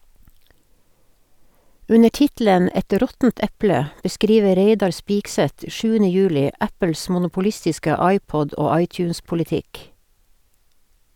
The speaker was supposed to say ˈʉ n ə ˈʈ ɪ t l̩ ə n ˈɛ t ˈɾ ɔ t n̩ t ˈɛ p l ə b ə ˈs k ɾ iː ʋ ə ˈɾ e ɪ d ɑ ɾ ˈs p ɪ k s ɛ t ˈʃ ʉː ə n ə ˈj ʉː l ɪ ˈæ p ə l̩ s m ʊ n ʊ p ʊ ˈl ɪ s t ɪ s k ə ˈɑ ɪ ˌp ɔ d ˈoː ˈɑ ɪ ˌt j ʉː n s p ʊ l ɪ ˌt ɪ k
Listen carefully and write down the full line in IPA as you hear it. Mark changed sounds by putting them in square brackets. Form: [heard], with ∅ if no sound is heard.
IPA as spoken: ˈʉ n ə ˈʈ ɪ t l̩ ə n ˈɛ t ˈɾ ɔ t n̩ t ˈɛ p l ə b ə ˈs k ɾ iː ʋ ə ˈɾ e ɪ d ɑ ɾ ˈs p ɪ k s ɛ t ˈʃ ʉː ə n ə ˈj ʉː l ɪ ˈæ p ə l̩ s m ʊ n ʊ p ʊ ˈl ɪ s t ɪ s k ə ˈɑ ɪ ˌp ɔ d ˈoː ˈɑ ɪ ˌt j ʉː n s p ʊ l ɪ ˌt ɪ k